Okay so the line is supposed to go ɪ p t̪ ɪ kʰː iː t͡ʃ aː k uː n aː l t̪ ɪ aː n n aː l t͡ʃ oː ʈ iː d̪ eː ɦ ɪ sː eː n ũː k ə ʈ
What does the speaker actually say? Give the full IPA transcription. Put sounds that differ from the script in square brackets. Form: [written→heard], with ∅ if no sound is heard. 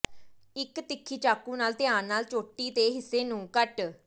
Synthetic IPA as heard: ɪ [p→k] t̪ ɪ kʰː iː t͡ʃ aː k uː n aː l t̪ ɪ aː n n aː l t͡ʃ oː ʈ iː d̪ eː ɦ ɪ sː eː n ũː k ə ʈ